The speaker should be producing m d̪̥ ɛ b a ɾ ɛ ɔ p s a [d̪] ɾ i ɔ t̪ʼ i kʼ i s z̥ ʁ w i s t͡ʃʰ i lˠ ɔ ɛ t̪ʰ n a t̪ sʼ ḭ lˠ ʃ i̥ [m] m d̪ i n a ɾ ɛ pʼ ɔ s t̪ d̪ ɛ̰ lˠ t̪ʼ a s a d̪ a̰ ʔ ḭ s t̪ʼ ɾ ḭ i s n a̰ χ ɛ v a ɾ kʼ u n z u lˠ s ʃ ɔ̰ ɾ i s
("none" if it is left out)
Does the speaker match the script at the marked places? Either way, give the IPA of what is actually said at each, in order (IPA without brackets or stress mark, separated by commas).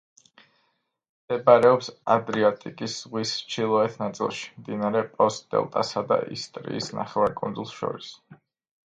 d̪, m